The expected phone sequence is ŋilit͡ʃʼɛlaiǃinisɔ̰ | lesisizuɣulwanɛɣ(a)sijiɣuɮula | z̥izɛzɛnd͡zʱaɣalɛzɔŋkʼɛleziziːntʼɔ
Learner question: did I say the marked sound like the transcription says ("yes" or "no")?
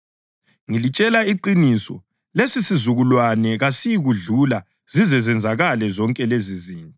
yes